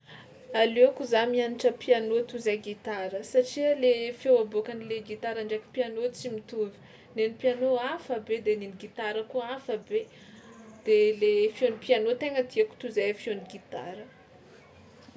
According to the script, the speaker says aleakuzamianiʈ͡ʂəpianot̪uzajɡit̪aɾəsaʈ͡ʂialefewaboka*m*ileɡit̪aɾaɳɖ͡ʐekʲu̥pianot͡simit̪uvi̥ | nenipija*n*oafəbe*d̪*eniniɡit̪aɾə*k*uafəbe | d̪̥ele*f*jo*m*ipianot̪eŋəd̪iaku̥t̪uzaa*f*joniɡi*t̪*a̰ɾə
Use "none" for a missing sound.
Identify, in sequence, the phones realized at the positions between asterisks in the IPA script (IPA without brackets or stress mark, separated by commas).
n, n, d̪, k, f, n, f, t̪